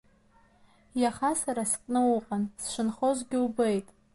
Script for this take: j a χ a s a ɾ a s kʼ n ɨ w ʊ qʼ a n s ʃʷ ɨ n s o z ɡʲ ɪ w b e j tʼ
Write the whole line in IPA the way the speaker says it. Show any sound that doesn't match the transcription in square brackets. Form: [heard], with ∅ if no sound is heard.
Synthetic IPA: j a χ a s a ɾ a s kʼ n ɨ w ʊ qʼ a n s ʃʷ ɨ n [χ] o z ɡʲ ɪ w b e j tʼ